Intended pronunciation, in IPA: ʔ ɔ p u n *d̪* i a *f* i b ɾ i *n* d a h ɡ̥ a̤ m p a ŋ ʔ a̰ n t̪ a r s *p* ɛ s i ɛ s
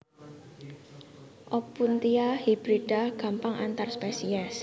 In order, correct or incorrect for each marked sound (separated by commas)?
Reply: incorrect, incorrect, incorrect, correct